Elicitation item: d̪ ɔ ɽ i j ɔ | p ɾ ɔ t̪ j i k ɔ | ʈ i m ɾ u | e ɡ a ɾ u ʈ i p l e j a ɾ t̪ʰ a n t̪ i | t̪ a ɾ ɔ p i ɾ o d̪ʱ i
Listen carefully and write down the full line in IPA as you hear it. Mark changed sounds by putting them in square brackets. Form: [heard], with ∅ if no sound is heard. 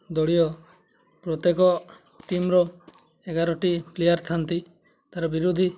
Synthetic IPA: d̪ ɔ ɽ i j ɔ | p ɾ ɔ t̪ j [e] k ɔ | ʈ i m ɾ [ɔ] | e ɡ a ɾ [ɔ] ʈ i p l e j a ɾ t̪ʰ a n t̪ i | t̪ a ɾ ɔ [b] i ɾ [u] d̪ʱ i